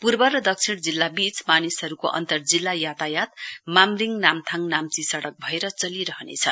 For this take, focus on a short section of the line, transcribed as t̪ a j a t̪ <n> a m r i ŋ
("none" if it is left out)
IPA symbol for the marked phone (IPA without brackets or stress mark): m